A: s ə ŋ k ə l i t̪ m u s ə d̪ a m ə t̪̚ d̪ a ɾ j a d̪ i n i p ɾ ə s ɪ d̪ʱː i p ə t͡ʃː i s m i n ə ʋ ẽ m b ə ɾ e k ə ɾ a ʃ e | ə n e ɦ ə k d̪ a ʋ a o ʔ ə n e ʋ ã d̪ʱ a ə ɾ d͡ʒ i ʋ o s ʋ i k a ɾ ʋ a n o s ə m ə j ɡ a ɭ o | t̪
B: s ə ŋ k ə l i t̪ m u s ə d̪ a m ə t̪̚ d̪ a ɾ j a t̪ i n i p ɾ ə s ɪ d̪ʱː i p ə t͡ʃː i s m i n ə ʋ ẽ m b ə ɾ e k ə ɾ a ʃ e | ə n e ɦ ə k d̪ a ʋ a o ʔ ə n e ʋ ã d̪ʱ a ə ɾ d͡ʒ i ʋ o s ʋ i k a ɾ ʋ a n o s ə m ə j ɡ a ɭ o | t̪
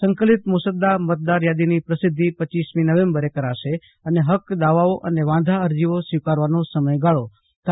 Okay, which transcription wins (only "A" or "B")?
A